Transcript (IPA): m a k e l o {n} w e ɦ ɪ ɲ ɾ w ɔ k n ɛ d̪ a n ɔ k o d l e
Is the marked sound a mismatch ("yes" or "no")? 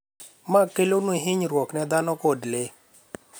no